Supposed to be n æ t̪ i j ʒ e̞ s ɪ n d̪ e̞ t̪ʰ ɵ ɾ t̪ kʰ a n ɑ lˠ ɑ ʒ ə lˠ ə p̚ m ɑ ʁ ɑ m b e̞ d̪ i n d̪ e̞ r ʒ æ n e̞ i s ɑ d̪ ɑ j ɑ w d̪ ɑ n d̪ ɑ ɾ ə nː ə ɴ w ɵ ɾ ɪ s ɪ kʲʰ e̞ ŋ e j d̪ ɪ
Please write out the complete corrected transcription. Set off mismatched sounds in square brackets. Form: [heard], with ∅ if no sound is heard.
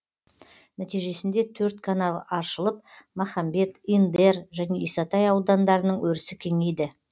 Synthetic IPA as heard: n æ t̪ i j ʒ e̞ s ɪ n d̪ e̞ t̪ʰ ɵ ɾ t̪ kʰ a n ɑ lˠ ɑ [ʃ] ə lˠ ə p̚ m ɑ [χ] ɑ m b e̞ [t̪] i n d̪ e̞ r ʒ æ n e̞ i s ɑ [t̪] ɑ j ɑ w d̪ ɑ n d̪ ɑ ɾ ə [n] ə ɴ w ɵ ɾ ɪ s ɪ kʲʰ e̞ ŋ e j d̪ ɪ